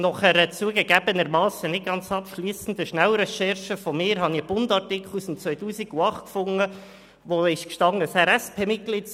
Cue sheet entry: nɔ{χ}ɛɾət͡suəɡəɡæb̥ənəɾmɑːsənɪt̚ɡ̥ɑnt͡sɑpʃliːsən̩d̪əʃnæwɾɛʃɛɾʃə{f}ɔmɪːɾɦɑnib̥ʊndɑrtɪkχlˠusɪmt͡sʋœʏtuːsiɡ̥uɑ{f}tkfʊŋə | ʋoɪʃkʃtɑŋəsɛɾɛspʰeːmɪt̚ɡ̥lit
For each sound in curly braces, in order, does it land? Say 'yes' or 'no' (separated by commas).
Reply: yes, yes, no